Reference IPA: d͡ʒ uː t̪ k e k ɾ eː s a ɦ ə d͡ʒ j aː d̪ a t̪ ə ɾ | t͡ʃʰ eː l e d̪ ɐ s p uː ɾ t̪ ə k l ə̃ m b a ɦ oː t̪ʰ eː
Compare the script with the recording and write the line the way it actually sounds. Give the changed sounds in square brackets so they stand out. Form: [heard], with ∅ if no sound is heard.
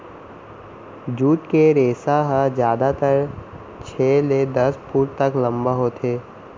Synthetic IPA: d͡ʒ uː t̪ k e [∅] ɾ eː s a ɦ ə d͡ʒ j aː d̪ a t̪ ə ɾ | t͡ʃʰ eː l e d̪ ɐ s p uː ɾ t̪ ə k l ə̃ m b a ɦ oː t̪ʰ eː